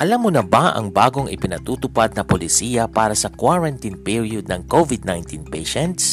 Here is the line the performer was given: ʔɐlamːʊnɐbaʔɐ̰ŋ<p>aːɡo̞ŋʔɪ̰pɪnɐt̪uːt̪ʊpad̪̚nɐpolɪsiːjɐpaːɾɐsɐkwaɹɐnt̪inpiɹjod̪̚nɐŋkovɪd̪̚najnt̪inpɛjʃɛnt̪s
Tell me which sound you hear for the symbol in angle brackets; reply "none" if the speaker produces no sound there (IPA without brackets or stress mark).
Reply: b